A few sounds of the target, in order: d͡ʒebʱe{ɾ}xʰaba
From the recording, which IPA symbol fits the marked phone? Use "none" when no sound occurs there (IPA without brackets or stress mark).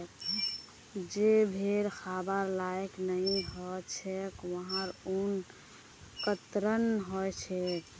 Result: ɾ